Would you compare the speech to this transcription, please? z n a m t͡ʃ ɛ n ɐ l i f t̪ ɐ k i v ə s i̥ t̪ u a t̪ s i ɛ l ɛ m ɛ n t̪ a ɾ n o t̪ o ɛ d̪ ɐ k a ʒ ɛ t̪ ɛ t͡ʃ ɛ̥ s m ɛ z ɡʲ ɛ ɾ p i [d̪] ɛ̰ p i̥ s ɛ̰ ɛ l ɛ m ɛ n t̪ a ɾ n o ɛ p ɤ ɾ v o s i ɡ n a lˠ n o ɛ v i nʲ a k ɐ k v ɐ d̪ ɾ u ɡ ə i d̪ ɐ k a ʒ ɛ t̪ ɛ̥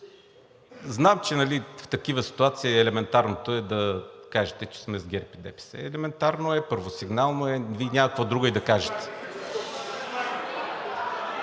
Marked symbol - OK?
yes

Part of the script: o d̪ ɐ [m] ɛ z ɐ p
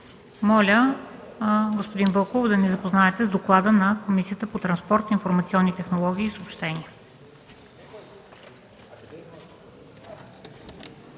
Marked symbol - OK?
no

